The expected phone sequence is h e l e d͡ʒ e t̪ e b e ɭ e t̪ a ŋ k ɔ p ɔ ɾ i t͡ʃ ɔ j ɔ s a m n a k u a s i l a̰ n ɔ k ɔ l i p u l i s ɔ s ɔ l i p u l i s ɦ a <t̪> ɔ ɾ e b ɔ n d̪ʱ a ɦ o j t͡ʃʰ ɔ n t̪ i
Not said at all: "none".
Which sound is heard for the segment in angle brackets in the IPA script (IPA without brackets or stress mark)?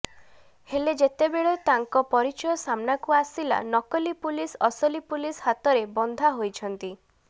t̪